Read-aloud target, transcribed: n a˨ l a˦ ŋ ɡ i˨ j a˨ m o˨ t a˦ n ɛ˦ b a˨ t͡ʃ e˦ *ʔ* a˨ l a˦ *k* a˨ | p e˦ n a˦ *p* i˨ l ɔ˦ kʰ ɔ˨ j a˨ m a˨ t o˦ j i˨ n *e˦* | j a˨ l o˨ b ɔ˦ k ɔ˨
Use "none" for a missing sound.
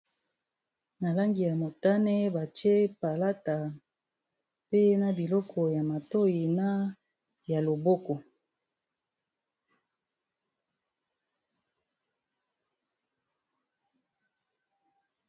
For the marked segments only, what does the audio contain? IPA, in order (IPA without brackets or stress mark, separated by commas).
p, t, b, a˦